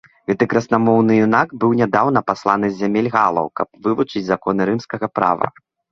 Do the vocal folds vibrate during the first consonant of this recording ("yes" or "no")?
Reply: yes